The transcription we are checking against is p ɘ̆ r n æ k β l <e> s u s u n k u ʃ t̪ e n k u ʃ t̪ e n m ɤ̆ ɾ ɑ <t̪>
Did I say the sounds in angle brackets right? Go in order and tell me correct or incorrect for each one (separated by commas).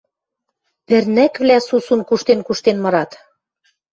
incorrect, correct